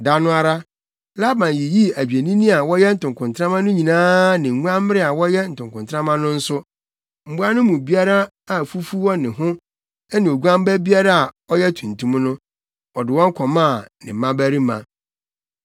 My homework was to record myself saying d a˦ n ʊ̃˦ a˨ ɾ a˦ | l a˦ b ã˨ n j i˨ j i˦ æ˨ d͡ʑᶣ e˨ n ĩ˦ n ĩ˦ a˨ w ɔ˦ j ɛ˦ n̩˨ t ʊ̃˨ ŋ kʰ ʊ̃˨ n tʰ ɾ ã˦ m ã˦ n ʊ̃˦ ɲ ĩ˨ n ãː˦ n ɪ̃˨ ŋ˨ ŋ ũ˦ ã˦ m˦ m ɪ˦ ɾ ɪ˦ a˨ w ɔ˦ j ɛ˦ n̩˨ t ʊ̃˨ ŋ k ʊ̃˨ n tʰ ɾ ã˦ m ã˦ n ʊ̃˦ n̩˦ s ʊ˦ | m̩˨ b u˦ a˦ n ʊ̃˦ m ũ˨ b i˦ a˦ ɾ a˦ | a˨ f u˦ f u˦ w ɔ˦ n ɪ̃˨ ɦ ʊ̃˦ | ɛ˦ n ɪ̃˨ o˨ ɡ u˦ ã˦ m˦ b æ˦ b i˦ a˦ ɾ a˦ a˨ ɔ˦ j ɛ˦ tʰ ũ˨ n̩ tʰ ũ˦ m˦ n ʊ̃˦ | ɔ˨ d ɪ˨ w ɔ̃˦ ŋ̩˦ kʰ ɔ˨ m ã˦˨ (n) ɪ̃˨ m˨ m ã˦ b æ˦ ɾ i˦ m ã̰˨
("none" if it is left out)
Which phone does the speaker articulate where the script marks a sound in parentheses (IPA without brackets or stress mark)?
n